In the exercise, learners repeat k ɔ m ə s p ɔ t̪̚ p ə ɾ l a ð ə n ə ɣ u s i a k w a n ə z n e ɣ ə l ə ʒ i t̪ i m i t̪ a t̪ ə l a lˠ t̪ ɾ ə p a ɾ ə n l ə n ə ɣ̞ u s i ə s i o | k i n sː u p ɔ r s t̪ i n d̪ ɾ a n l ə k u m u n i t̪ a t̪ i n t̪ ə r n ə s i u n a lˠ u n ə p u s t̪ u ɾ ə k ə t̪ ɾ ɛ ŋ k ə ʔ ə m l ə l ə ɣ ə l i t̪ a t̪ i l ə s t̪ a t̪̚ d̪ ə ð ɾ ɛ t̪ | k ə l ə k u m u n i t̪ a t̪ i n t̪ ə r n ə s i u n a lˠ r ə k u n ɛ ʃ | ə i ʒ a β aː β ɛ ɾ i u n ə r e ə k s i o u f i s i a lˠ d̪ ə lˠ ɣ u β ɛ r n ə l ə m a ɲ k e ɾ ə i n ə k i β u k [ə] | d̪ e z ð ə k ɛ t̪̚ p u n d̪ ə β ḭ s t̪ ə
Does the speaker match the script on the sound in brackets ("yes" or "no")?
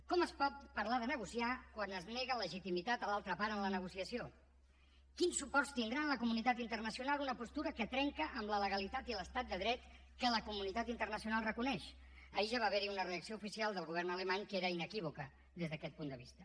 yes